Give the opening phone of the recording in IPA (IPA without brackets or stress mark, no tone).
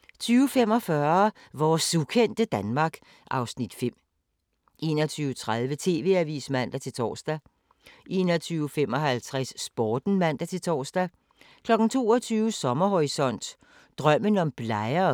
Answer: t͡sʰ